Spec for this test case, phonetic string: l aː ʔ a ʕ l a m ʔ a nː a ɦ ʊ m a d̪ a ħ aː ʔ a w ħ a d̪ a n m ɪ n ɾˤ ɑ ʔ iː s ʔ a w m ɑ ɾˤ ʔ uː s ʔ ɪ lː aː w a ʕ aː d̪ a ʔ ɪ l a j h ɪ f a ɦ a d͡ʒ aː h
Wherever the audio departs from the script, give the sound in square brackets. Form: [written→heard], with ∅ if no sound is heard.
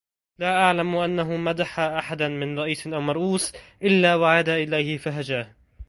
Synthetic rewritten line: l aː ʔ a ʕ l a m ʔ a nː a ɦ ʊ m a d̪ a ħ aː ʔ a [w→∅] ħ a d̪ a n m ɪ n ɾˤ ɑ ʔ iː s ʔ a w m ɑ ɾˤ ʔ uː s ʔ ɪ lː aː w a ʕ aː d̪ a ʔ ɪ l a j h ɪ f a ɦ a d͡ʒ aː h